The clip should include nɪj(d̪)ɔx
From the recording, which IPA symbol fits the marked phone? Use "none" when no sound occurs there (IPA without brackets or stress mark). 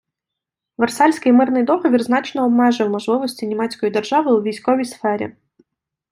d̪